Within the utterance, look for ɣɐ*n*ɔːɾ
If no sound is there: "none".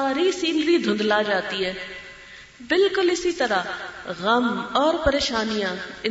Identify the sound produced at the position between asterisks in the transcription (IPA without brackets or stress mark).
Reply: m